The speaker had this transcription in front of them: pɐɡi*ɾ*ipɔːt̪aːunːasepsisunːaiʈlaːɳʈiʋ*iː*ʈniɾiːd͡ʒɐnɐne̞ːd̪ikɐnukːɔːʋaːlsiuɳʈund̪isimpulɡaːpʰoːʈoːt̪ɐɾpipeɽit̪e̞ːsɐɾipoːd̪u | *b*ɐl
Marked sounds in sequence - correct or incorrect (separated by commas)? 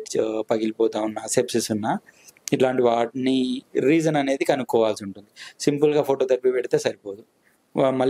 incorrect, incorrect, incorrect